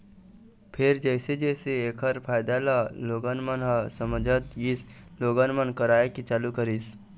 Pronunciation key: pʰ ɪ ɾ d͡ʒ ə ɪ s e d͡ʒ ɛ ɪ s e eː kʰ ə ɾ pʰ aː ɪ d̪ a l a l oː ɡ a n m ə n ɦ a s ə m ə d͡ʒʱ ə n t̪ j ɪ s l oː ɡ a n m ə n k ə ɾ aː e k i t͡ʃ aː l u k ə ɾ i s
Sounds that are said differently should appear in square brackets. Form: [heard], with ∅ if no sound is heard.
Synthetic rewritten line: pʰ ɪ ɾ d͡ʒ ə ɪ s e d͡ʒ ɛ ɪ s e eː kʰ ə ɾ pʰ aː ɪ d̪ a l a l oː ɡ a n m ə n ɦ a s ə m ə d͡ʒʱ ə [∅] t̪ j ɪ s l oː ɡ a n m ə n k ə ɾ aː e k i t͡ʃ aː l u k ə ɾ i s